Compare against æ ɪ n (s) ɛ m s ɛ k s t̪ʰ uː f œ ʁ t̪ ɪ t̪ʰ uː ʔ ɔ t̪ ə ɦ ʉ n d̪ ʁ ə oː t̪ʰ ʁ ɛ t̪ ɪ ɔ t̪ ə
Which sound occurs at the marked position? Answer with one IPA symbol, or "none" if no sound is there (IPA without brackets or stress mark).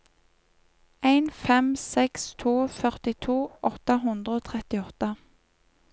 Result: f